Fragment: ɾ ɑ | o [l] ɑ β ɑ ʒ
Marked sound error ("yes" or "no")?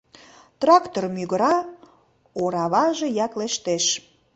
yes